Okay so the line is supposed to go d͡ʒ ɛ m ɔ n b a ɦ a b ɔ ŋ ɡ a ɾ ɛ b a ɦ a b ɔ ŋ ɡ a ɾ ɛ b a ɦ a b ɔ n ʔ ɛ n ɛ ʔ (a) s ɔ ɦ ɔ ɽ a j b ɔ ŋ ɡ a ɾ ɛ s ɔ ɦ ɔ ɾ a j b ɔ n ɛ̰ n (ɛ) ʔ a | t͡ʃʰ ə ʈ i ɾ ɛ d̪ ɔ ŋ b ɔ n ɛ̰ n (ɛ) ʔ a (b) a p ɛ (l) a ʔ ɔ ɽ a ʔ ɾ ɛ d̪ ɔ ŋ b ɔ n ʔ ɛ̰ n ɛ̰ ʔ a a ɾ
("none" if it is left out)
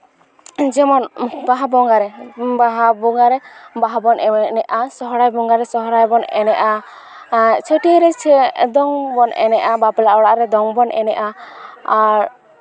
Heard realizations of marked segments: a, ɛ, ɛ, b, l

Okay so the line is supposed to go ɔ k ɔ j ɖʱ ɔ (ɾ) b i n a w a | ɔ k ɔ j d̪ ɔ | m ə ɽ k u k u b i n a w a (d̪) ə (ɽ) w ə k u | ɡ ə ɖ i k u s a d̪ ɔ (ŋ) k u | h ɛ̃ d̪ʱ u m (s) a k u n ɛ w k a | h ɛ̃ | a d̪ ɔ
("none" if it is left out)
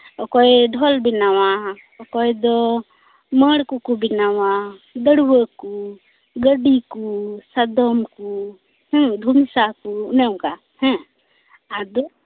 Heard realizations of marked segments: l, d̪, ɽ, m, s

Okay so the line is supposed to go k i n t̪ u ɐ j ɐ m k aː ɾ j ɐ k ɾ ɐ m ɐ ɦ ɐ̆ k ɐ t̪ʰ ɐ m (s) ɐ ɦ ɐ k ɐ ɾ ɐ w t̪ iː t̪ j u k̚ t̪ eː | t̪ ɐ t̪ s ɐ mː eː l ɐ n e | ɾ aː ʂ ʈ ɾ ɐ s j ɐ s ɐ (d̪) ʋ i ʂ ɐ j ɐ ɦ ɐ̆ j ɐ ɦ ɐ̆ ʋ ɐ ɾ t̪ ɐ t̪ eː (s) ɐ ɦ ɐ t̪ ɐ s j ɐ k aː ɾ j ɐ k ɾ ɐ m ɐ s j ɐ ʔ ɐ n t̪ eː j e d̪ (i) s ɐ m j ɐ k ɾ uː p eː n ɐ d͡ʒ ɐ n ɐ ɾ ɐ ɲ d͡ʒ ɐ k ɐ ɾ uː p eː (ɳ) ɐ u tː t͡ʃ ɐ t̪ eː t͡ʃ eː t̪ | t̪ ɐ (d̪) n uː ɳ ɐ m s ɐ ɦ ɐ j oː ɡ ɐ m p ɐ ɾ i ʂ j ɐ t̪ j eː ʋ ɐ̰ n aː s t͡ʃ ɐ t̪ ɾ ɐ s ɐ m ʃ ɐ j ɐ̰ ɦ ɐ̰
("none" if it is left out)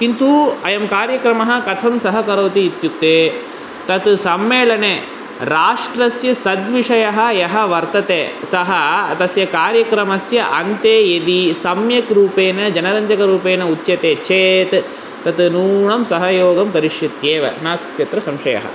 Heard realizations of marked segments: s, d̪, s, i, n, t̪

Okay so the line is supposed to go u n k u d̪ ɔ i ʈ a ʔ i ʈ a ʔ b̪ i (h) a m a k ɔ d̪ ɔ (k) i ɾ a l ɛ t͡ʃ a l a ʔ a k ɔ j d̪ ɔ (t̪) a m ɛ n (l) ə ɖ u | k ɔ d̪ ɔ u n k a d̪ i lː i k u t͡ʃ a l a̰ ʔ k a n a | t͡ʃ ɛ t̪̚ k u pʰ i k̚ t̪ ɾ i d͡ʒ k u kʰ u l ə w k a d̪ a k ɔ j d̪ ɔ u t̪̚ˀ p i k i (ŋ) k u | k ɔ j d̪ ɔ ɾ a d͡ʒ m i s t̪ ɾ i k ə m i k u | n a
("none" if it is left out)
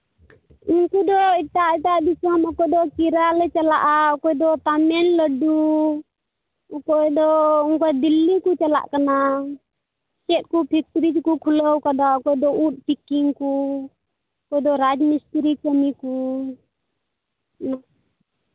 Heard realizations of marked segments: s, k, t̪, l, ŋ

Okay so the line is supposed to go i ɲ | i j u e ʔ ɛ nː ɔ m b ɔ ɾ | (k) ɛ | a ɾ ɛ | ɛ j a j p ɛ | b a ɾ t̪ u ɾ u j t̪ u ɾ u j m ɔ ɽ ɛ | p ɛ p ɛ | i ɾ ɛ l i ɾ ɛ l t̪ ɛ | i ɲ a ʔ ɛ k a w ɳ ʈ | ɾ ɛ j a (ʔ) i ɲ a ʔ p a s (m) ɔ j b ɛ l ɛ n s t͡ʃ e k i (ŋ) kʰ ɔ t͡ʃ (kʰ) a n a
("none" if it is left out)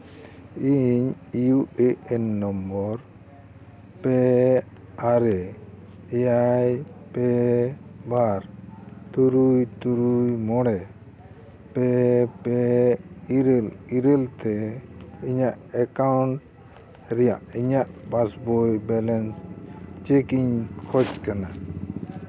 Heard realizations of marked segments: p, ʔ, b, ɲ, k

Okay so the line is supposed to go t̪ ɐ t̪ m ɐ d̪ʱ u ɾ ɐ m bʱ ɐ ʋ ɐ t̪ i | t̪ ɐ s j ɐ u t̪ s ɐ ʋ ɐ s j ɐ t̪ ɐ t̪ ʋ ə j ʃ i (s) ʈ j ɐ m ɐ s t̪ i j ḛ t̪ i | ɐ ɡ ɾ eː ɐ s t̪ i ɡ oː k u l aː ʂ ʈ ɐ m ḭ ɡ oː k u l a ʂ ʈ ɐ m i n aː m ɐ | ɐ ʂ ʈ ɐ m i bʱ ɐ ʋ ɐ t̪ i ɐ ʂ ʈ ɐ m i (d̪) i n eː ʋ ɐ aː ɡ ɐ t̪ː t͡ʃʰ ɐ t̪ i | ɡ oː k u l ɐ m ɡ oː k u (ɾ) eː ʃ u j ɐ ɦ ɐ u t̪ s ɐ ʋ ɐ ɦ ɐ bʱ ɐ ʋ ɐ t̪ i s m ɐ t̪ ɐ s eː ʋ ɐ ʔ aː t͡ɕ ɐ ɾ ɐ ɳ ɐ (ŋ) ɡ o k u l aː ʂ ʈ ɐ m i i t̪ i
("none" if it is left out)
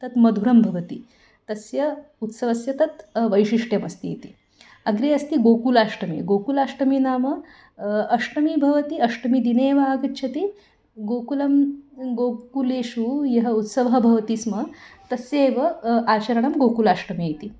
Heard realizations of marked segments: ʂ, d̪, l, m

